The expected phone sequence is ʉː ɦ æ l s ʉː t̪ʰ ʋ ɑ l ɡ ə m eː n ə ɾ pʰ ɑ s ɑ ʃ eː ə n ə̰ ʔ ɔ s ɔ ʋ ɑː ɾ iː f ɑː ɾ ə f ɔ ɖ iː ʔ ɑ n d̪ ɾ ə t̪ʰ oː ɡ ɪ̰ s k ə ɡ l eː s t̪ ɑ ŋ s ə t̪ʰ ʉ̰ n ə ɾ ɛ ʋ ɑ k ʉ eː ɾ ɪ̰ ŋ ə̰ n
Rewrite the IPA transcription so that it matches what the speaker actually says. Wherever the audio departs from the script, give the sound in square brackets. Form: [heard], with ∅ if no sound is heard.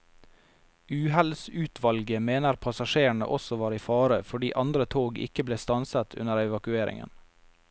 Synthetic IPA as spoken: ʉː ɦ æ l s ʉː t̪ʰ ʋ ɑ l ɡ ə m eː n ə ɾ pʰ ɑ s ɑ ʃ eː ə [ɳ] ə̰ ʔ ɔ s ɔ ʋ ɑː ɾ iː f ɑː ɾ ə f ɔ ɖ iː ʔ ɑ n d̪ ɾ ə t̪ʰ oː ɡ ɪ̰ [∅] k ə [b] l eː s t̪ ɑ [n] s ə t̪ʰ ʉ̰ n ə ɾ ɛ ʋ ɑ k ʉ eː ɾ ɪ̰ ŋ ə̰ n